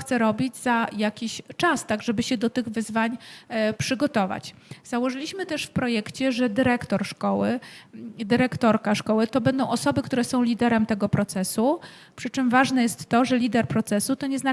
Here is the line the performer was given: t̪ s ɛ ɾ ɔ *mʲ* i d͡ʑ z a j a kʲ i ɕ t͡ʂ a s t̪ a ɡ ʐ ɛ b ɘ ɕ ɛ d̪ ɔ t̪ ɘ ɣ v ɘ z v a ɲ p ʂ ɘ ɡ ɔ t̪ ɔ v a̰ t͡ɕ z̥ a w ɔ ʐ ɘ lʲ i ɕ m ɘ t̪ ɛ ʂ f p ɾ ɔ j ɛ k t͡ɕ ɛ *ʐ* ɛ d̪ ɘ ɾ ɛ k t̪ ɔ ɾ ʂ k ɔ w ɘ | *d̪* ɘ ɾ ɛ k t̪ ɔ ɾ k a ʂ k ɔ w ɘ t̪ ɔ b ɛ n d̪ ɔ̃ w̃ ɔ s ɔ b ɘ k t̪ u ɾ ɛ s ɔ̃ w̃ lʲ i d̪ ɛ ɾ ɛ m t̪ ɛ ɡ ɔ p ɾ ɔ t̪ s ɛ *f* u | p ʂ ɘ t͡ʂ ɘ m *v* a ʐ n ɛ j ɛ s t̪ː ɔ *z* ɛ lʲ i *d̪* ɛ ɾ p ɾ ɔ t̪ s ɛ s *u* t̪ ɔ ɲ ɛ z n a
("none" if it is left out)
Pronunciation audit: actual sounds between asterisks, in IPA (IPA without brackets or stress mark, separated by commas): bʲ, ʐ, d̪, s, v, ʐ, d̪, u